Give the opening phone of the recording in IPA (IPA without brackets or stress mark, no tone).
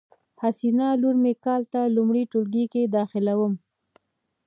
h